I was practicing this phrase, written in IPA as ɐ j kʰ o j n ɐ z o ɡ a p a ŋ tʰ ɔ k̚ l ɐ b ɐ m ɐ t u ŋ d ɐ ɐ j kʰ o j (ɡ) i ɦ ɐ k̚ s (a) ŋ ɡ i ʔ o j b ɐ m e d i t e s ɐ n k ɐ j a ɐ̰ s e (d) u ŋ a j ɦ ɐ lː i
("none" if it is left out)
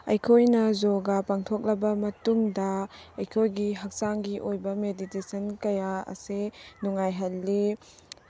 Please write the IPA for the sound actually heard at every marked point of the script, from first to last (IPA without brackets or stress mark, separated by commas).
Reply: ɡ, a, n